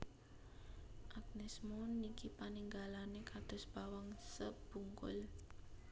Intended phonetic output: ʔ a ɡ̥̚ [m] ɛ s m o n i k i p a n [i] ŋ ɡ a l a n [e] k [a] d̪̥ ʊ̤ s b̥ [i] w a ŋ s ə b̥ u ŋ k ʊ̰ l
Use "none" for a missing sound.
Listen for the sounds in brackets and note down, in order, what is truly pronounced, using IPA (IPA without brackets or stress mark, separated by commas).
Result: n, i, e, a, a